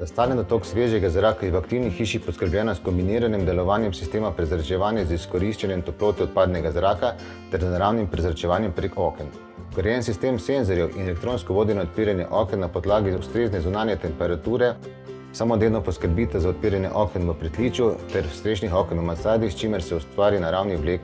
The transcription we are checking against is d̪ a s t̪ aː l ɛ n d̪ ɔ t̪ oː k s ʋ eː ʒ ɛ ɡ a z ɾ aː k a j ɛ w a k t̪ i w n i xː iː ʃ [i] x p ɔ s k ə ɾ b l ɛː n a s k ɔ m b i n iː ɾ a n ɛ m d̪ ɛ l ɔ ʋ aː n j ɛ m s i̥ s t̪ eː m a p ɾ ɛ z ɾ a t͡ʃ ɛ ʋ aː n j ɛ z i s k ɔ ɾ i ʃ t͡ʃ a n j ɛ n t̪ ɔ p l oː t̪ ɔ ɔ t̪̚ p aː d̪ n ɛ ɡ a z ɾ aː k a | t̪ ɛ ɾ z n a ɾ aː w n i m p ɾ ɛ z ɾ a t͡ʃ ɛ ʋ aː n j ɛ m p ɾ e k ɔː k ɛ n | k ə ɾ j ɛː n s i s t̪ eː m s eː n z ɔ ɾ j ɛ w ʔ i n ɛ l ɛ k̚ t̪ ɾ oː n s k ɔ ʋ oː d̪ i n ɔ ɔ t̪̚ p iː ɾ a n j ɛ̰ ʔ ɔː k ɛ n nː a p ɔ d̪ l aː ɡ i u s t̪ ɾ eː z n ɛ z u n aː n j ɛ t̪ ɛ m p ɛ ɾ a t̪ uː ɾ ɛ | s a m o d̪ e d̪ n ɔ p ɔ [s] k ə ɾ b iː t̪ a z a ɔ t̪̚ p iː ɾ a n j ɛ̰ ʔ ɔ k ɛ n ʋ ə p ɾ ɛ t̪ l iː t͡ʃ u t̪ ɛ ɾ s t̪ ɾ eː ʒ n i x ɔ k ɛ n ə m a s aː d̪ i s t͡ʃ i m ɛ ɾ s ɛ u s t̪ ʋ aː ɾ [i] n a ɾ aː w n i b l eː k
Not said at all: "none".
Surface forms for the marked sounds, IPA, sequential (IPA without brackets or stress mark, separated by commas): i, s, i